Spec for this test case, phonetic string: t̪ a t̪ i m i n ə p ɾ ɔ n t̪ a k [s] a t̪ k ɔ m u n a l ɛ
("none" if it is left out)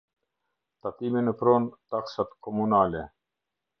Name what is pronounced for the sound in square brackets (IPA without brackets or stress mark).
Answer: s